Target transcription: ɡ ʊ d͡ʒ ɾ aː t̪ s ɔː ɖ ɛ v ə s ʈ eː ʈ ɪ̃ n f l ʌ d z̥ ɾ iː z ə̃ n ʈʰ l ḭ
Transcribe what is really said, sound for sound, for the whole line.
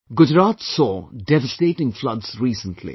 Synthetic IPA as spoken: ɡ ʊ d͡ʒ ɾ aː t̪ s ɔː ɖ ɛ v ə s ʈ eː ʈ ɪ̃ ŋ f l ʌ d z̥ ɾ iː s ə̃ n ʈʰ l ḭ

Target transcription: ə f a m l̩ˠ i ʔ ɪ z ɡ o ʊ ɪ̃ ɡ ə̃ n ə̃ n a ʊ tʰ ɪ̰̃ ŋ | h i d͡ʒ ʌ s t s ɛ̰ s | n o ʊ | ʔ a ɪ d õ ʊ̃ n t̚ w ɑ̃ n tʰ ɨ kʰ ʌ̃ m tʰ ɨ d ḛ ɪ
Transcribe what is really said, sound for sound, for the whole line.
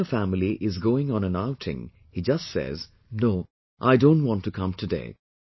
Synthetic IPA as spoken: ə f æ m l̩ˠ i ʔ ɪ z ɡ o ʊ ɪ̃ ŋ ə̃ n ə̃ n a ʊ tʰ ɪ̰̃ ŋ | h i d͡ʒ ʌ s t s ɛ̰ z | n o ʊ | ʔ a ɪ d õ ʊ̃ n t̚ w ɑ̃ n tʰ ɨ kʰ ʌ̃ m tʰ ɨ d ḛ ɪ

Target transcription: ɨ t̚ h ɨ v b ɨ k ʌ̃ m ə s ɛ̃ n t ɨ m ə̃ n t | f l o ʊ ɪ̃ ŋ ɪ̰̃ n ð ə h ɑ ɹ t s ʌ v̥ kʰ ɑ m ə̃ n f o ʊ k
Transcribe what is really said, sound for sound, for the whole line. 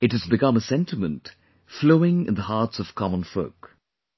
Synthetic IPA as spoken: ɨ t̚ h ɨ z b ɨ k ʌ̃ m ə s ɛ̃ n t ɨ m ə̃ n t | f l o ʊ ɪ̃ ŋ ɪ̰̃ n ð ə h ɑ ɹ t s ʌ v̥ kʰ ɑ m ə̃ n f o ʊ k

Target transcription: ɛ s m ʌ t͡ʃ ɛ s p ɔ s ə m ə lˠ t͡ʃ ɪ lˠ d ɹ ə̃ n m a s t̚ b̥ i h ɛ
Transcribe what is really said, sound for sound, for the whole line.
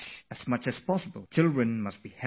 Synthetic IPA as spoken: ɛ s m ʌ t͡ʃ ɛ s p ɔ s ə b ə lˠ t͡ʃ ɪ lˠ d ɹ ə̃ n m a s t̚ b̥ i h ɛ

